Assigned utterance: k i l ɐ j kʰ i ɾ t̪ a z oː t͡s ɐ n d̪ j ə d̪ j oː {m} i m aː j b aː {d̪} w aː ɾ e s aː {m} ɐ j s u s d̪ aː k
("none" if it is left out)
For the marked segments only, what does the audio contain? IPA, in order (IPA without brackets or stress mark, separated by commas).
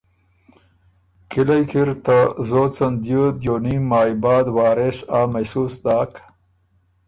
n, d̪, m